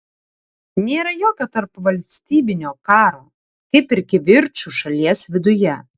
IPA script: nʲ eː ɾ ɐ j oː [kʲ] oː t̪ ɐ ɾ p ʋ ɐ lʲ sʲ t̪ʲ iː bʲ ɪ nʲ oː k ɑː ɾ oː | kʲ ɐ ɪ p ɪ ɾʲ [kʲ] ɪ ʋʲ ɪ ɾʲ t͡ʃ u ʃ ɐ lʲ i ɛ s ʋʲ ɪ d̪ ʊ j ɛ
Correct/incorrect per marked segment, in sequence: correct, correct

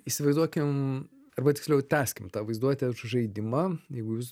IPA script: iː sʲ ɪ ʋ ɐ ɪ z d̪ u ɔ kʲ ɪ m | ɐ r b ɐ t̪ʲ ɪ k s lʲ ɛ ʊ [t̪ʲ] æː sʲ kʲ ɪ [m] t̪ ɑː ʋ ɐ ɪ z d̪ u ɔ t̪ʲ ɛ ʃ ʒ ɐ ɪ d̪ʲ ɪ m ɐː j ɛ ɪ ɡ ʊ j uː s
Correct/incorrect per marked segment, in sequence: correct, correct

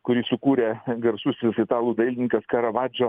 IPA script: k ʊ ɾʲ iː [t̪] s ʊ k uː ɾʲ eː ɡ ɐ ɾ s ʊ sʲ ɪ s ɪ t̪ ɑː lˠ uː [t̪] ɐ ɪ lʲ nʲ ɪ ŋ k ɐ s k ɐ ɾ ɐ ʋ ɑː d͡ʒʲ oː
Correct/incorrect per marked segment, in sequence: incorrect, incorrect

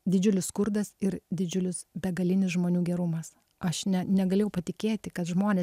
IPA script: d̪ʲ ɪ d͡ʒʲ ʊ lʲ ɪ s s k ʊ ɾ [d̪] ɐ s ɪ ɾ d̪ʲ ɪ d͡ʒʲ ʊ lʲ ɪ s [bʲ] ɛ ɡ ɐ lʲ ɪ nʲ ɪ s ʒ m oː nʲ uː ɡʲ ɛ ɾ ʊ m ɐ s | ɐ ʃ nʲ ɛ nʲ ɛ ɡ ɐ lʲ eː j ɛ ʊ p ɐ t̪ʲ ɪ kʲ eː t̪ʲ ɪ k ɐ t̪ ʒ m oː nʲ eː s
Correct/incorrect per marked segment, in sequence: correct, correct

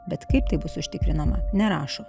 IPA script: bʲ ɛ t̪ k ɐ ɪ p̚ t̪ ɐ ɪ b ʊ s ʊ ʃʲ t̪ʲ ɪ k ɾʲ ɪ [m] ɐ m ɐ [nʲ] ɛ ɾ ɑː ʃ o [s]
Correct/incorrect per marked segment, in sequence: incorrect, correct, incorrect

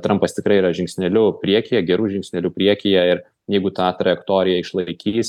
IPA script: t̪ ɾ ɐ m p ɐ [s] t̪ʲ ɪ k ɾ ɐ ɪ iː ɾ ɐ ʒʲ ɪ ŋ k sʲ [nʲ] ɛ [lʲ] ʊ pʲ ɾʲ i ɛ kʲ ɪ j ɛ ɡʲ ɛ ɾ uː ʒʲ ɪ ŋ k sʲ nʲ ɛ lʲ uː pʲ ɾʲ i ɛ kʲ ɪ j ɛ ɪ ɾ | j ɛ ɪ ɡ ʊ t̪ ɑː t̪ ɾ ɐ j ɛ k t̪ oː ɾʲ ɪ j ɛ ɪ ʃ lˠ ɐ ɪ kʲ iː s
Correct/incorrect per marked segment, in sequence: correct, correct, correct

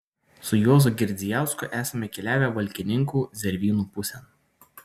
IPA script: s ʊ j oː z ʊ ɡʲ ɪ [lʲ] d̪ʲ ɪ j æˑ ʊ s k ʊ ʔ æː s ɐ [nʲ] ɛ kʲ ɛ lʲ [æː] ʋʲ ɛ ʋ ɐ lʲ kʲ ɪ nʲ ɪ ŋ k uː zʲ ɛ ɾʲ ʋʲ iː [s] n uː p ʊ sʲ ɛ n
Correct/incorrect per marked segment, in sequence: incorrect, incorrect, correct, incorrect

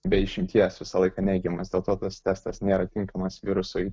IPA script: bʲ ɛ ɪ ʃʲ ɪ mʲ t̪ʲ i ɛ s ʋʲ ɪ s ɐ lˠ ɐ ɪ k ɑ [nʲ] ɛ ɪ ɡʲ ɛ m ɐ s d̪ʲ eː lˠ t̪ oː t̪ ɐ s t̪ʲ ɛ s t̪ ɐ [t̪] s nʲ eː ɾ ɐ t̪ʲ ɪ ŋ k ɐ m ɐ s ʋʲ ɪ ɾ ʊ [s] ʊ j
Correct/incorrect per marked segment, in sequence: correct, incorrect, correct

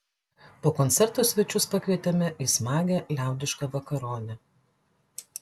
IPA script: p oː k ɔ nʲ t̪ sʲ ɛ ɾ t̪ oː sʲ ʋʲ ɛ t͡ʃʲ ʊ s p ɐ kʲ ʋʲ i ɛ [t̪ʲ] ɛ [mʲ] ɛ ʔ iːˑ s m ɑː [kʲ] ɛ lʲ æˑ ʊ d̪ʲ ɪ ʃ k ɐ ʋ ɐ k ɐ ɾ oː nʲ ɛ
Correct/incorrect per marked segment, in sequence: correct, correct, incorrect

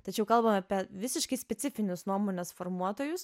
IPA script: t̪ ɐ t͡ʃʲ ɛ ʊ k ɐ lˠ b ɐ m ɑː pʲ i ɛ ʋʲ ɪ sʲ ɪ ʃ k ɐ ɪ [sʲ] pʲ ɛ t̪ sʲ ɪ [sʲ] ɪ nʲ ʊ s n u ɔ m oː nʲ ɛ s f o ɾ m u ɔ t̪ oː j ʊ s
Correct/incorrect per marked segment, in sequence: correct, incorrect

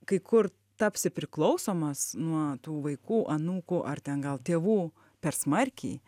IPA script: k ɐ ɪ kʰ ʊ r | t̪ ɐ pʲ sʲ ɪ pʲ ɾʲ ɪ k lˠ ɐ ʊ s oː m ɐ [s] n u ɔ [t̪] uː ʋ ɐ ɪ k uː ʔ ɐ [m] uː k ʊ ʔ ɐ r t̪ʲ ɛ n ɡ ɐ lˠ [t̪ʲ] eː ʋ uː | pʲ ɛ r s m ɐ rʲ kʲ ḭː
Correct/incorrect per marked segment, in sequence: correct, correct, incorrect, correct

